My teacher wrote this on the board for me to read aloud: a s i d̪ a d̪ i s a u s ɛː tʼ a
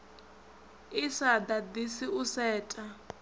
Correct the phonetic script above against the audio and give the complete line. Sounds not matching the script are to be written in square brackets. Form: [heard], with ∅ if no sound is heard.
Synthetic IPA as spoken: [i] s [a] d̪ a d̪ i s [i] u s ɛː tʼ a